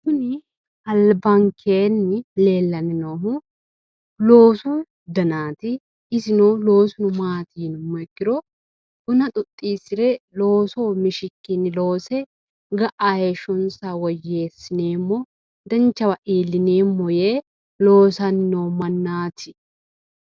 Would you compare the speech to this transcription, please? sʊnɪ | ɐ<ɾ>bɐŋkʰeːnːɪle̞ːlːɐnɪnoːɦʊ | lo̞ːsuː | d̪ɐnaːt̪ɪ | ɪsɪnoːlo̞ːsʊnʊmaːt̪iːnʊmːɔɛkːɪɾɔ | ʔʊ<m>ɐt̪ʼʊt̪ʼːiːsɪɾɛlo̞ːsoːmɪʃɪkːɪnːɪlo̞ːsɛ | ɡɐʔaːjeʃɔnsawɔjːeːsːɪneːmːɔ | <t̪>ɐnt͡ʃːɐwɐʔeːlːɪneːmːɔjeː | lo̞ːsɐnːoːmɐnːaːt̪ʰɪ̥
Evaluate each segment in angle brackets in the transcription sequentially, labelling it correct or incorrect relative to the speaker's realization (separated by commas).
incorrect, incorrect, incorrect